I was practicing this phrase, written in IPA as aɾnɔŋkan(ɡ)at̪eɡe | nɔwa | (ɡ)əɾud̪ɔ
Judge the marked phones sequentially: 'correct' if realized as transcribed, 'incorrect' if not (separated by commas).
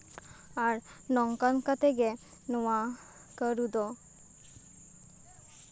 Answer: incorrect, incorrect